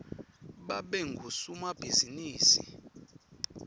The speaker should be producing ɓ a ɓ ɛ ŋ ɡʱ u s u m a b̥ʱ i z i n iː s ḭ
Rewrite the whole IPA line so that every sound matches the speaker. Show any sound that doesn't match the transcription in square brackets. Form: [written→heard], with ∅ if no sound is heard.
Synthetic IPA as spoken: ɓ a ɓ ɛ ŋ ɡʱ u s u m a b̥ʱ i z i n iː s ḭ